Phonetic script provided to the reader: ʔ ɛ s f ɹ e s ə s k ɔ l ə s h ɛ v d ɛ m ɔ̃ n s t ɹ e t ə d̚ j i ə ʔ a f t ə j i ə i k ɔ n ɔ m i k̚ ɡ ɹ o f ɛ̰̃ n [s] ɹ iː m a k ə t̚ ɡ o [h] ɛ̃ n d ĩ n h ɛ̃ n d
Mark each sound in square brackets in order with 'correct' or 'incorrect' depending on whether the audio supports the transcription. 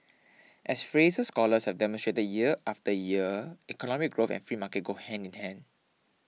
incorrect, correct

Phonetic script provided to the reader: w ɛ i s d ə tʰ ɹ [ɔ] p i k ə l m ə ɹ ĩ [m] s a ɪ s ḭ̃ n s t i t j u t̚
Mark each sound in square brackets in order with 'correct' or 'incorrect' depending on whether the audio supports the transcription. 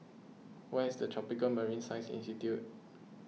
correct, incorrect

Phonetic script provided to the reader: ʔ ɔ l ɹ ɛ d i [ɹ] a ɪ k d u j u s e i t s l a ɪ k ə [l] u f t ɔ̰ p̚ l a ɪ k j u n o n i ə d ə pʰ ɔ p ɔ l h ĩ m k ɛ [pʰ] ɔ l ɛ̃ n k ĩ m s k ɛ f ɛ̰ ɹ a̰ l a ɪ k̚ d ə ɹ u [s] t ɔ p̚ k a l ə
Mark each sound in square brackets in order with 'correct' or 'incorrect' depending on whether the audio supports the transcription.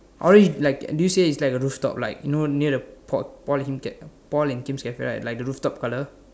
incorrect, incorrect, incorrect, incorrect

